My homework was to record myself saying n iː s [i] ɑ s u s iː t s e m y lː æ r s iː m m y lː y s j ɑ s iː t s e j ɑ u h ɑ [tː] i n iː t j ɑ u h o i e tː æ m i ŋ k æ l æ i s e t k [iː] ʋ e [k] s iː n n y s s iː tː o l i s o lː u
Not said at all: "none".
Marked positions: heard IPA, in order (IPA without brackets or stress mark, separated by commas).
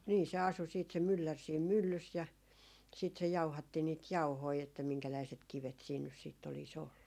e, tː, i, t